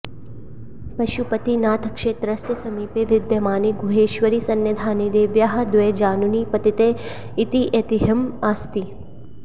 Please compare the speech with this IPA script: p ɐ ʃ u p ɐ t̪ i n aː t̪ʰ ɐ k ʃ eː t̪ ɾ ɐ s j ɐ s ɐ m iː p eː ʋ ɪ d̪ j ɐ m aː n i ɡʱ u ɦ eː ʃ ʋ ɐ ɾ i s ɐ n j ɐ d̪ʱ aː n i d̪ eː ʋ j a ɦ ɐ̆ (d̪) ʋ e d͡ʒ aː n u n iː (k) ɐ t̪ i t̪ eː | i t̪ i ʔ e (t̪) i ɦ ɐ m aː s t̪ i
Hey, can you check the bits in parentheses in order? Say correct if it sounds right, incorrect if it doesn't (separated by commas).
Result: correct, incorrect, correct